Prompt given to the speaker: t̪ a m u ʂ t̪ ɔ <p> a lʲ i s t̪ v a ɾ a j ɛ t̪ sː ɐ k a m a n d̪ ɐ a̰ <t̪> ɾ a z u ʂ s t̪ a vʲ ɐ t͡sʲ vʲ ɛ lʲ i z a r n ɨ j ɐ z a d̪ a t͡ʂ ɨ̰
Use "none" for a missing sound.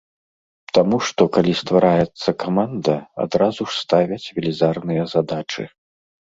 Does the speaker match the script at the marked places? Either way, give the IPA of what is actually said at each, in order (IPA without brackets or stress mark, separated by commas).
k, d̪